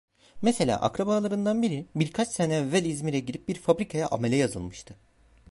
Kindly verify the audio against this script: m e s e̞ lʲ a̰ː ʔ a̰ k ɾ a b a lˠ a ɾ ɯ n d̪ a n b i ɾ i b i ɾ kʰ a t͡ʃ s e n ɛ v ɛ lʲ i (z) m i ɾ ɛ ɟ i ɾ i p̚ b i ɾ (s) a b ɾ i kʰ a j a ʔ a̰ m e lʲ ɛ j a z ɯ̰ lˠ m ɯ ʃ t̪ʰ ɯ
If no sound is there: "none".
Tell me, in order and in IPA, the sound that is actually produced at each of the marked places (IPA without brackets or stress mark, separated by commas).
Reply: z, f